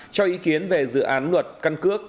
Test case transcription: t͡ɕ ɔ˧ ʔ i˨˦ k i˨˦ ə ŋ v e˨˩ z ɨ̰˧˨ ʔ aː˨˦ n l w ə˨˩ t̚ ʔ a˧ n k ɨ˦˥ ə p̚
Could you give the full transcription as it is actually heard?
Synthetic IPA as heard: t͡ɕ ɔ˧ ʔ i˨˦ k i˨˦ ə n v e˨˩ z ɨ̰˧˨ ʔ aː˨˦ n l w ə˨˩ t̚ k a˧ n k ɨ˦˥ ə k̚